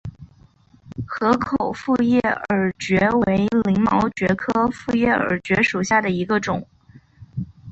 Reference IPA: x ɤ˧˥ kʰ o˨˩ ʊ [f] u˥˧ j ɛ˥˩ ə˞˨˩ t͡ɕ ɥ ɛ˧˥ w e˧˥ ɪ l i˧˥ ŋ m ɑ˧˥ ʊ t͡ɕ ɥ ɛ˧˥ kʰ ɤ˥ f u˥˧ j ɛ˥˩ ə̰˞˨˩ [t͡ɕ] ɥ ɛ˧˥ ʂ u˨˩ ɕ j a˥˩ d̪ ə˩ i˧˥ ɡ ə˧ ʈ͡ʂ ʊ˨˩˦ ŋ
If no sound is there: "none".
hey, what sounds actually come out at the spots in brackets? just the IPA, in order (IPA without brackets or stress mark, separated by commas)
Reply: f, t͡ɕ